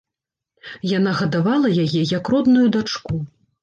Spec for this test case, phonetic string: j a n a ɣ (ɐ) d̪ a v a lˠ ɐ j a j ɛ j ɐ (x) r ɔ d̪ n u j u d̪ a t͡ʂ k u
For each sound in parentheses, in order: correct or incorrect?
correct, incorrect

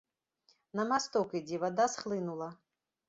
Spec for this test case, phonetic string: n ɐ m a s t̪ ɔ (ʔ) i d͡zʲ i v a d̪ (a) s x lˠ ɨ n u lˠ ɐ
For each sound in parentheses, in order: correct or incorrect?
incorrect, correct

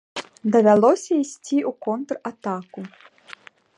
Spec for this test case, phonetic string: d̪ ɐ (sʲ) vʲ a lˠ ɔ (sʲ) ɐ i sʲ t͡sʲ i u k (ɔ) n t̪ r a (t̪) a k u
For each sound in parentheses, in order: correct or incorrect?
incorrect, correct, correct, correct

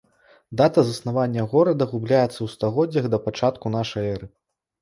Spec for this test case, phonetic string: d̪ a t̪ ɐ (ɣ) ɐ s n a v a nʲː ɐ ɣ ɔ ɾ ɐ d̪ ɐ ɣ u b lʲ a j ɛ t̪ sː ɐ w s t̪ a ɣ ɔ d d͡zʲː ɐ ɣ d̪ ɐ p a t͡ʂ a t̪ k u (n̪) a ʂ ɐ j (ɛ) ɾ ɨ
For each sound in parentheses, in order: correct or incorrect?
incorrect, correct, correct

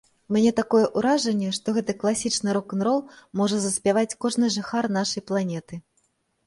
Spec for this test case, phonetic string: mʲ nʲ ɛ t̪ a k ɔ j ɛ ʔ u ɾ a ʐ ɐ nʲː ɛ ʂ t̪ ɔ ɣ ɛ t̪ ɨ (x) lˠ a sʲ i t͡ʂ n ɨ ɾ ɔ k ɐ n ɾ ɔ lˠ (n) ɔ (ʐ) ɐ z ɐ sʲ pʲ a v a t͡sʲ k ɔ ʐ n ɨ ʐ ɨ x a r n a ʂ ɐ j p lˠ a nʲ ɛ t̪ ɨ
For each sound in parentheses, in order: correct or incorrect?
incorrect, incorrect, correct

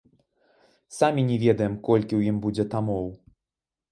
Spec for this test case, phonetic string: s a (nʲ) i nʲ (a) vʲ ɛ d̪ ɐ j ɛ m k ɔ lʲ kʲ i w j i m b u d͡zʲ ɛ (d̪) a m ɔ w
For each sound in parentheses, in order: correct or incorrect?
incorrect, incorrect, incorrect

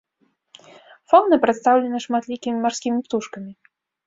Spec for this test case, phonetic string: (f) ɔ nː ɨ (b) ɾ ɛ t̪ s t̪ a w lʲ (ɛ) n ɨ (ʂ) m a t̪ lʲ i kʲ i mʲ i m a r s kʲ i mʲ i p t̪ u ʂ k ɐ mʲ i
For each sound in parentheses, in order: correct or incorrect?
correct, incorrect, correct, correct

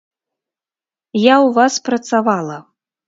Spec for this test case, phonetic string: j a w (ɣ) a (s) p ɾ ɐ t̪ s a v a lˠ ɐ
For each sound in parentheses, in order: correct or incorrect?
incorrect, correct

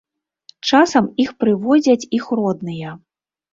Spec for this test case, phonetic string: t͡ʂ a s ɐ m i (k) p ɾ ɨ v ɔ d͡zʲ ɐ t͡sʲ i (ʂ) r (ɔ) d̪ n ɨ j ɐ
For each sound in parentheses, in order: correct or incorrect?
incorrect, incorrect, correct

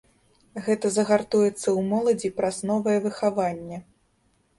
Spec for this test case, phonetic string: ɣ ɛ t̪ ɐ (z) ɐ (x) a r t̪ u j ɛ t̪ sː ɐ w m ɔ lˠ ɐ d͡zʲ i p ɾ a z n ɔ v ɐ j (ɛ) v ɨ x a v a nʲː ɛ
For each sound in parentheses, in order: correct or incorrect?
correct, incorrect, correct

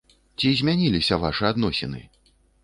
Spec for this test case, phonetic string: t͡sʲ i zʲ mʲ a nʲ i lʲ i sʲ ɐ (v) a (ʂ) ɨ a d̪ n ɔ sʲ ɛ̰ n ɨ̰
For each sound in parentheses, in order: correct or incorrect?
correct, correct

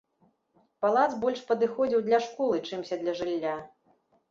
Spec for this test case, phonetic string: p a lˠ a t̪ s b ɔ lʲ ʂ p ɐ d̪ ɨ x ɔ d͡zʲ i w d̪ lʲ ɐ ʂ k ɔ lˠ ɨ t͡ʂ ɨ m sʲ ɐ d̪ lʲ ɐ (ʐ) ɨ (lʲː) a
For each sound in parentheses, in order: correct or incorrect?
correct, correct

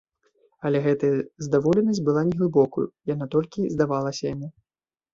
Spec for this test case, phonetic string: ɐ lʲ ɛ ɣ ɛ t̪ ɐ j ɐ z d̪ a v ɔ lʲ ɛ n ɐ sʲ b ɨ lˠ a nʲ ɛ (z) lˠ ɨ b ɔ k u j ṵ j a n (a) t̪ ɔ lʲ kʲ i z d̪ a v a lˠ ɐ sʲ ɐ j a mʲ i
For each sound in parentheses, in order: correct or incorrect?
incorrect, correct

